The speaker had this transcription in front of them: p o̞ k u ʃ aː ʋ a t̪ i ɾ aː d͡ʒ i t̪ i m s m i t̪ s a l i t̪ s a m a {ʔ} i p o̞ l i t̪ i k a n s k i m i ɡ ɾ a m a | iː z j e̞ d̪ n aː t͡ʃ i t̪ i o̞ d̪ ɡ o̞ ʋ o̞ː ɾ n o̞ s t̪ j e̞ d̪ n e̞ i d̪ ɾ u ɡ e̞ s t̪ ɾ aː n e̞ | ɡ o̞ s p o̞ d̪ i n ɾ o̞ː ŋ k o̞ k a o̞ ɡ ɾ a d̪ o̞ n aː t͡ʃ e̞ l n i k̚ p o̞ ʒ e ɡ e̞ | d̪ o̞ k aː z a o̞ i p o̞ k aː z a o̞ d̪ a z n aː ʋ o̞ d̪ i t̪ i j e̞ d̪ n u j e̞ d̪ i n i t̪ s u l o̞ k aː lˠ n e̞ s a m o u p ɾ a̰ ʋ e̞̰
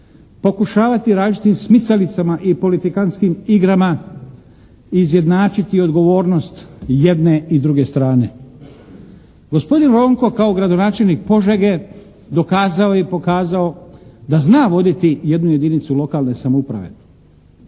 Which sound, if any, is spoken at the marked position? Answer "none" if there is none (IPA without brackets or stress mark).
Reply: ʔ